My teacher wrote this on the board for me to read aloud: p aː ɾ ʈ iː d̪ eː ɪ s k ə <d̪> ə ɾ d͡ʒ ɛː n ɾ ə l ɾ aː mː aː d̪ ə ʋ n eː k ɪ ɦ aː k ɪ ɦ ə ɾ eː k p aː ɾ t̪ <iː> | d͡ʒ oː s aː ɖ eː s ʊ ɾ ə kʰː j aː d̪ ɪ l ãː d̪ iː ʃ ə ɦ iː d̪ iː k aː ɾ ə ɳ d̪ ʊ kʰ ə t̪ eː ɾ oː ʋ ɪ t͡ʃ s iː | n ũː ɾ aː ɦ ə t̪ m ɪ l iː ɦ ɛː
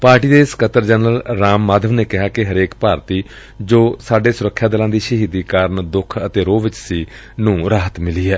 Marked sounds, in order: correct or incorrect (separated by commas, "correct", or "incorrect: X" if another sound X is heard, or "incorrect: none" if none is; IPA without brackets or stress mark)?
incorrect: t̪, correct